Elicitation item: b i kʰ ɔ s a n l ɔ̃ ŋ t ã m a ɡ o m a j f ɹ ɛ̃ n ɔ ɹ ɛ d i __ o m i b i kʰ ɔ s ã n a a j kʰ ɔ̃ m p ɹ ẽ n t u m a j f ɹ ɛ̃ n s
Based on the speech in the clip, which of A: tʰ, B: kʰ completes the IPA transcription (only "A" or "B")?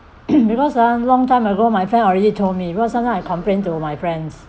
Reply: A